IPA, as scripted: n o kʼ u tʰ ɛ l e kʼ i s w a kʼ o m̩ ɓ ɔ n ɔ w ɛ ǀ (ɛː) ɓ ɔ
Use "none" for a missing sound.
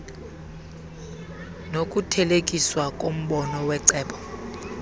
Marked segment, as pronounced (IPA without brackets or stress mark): ɛː